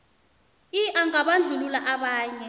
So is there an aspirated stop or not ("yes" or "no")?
no